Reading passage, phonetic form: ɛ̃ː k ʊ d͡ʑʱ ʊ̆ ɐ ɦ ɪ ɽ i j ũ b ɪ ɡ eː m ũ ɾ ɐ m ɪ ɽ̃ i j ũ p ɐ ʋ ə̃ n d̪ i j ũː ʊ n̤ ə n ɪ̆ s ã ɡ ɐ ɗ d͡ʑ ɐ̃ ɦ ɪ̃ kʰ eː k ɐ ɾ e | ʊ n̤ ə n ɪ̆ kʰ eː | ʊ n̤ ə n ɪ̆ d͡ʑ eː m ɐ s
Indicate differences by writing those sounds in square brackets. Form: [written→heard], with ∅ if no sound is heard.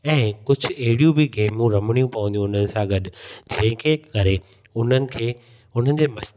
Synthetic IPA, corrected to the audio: ɛ̃ː k ʊ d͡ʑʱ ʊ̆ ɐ ɦ ɪ ɽ i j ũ b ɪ ɡ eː m ũ ɾ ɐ m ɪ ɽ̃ i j ũ p ɐ ʋ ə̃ n d̪ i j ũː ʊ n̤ ə n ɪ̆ s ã ɡ ɐ ɗ d͡ʑ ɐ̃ ɦ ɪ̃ kʰ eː k ɐ ɾ e | ʊ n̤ ə n ɪ̆ kʰ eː | ʊ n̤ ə n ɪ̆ d͡ʑ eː m ɐ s